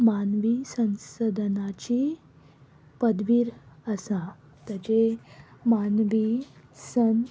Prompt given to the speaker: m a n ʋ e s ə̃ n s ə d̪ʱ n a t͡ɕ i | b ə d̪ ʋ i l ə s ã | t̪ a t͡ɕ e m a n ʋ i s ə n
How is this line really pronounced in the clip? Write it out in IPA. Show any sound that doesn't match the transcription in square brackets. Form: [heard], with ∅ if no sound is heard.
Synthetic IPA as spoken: m a n ʋ [i] s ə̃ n s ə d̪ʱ n a t͡ɕ i | [p] ə d̪ ʋ i [ɾ] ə s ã | t̪ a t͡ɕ e m a n ʋ i s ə n

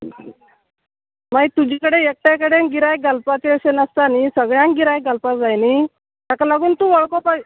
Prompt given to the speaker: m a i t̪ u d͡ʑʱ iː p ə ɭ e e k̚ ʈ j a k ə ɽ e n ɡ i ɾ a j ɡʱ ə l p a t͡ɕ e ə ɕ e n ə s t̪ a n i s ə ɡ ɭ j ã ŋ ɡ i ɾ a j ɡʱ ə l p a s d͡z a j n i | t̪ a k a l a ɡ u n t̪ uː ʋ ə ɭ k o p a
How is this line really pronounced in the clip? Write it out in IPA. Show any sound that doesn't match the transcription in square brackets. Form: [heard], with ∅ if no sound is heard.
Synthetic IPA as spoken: m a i t̪ u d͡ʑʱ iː [k] ə [ɽ] e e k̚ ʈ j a k ə ɽ e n ɡ i ɾ a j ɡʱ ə l p a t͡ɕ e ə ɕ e n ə s t̪ a n i s ə ɡ ɭ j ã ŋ ɡ i ɾ a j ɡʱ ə l p a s d͡z a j n i | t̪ a k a l a ɡ [uː] n t̪ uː ʋ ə ɭ k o p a

